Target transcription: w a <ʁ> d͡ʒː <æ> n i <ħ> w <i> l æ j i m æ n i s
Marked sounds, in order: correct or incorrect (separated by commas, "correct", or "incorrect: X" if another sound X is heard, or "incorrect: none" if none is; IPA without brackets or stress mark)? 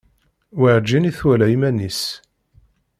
incorrect: ʕ, incorrect: i, incorrect: θ, incorrect: æ